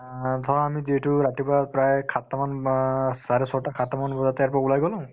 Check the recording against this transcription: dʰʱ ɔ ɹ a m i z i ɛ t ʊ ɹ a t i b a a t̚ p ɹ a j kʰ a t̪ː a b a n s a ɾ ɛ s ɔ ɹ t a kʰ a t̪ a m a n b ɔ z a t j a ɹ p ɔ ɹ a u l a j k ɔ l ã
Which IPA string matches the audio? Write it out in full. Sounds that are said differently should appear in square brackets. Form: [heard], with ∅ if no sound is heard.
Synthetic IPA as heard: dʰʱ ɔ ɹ a m i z i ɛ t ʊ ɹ a t i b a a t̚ p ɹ a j kʰ a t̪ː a [m] a n s a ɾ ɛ s ɔ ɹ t a kʰ a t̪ a m a n b ɔ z a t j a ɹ p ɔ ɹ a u l a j [ɡ] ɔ l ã